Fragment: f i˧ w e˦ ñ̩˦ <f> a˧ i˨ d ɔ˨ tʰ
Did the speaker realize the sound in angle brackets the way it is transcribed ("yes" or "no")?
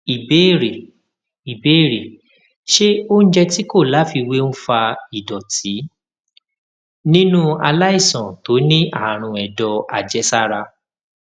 yes